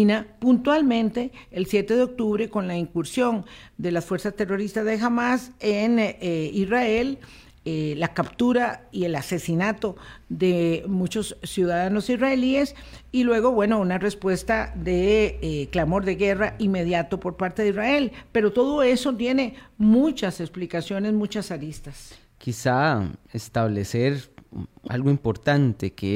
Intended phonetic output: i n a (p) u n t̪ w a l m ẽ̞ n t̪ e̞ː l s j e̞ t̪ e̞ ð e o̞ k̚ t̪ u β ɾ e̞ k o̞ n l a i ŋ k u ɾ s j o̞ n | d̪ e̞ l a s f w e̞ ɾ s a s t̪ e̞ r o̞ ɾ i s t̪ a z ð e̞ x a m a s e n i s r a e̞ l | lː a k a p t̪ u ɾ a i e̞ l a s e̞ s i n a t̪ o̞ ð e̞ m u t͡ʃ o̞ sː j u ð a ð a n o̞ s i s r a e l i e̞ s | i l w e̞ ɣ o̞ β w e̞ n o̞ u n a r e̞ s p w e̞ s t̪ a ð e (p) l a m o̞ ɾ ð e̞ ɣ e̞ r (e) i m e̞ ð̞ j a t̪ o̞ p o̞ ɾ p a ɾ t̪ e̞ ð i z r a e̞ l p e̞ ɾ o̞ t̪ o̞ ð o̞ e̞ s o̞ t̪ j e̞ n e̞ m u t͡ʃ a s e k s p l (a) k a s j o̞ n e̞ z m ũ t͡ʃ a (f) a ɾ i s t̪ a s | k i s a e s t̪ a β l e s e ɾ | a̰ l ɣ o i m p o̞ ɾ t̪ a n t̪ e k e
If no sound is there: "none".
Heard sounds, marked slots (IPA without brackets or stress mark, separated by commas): p, k, a, i, s